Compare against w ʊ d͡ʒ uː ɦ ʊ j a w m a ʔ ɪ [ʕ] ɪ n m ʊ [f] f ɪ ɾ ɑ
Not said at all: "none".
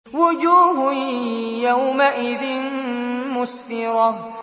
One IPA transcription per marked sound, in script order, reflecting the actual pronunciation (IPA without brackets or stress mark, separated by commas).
ð, s